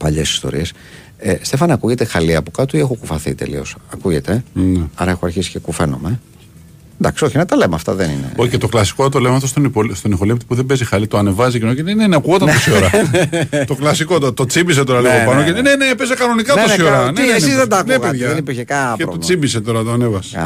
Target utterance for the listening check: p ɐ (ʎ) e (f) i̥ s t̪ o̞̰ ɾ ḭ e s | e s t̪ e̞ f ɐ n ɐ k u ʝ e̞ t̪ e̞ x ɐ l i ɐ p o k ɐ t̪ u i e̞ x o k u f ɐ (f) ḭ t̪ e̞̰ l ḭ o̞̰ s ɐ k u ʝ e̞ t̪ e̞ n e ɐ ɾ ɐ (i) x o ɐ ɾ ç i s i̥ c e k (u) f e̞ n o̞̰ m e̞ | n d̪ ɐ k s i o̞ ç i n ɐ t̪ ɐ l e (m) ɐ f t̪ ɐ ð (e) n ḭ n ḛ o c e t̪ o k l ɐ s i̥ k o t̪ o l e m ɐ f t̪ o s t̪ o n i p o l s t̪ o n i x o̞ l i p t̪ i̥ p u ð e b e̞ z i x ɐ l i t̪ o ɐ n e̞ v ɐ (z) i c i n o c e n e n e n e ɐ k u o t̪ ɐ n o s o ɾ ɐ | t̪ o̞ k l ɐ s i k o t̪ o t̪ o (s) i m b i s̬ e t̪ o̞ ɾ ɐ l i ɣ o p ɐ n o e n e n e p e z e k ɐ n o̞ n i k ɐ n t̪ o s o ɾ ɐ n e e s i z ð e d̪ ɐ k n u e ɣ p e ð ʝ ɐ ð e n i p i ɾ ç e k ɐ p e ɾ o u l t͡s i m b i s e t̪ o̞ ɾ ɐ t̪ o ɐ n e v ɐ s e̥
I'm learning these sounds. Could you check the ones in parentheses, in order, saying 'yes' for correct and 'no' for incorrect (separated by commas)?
yes, no, no, no, yes, yes, yes, yes, no